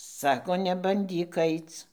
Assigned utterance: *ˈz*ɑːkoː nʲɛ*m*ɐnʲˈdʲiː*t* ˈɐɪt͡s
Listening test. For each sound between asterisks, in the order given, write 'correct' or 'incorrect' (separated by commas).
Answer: incorrect, incorrect, incorrect